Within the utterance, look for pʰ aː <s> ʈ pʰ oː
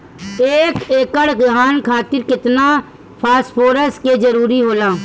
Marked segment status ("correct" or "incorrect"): correct